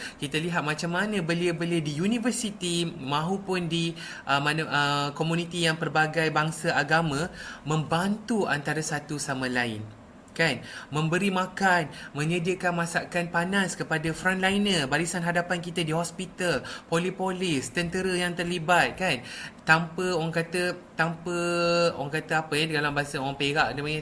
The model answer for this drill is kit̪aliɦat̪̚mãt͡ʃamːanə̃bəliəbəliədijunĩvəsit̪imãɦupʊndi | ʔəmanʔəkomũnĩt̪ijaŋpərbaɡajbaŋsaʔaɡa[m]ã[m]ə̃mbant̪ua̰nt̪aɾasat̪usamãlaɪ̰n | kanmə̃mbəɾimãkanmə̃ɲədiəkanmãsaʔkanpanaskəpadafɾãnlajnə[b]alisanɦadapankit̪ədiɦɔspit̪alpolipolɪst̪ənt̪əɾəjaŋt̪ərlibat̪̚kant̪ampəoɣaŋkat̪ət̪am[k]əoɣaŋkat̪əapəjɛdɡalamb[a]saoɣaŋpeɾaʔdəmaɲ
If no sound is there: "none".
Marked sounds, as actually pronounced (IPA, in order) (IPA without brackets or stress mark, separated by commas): m, m, b, p, a